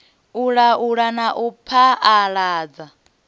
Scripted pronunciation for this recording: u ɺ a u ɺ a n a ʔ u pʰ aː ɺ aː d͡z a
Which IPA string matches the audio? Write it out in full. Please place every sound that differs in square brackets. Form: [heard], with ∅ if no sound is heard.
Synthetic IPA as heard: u ɺ a u ɺ a n a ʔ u pʰ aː ɺ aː d͡z a